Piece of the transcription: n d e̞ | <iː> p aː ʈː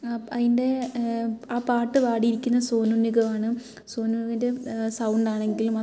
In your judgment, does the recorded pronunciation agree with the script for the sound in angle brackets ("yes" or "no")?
no